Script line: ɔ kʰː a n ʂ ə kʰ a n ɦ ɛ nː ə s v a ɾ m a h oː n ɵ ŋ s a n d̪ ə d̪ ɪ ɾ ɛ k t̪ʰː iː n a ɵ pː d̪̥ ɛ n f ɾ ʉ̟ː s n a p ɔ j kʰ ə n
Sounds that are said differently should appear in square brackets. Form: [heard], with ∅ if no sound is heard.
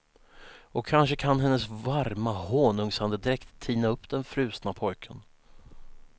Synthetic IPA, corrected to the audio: ɔ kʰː a n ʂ ə kʰ a n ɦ ɛ nː ə s v a ɾ m a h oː n ɵ ŋ s a n d̪ ə d̪ ɪ ɾ ɛ k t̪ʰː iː n a ɵ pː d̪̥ ɛ n f ɾ ʉ̟ː s n a [pʰ] ɔ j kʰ ə n